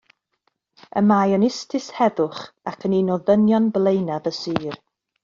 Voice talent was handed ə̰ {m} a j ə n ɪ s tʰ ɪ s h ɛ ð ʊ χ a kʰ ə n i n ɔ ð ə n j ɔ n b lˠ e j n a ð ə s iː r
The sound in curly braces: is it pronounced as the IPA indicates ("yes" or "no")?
yes